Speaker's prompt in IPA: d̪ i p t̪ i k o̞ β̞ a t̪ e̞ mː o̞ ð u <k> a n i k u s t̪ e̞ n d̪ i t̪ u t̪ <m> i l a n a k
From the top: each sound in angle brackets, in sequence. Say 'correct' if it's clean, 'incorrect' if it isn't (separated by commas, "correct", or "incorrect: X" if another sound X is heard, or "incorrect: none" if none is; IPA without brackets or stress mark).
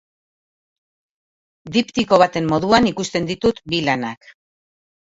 incorrect: none, incorrect: b